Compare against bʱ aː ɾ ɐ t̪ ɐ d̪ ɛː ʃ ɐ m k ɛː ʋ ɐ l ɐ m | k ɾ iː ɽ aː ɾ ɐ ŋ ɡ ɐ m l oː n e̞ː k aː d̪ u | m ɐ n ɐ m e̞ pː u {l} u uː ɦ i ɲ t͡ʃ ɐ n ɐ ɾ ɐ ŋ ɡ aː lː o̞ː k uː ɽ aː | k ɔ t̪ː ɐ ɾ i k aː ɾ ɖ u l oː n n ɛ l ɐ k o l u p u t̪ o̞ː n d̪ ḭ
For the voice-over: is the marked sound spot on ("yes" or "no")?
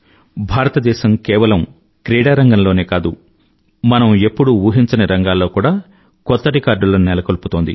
no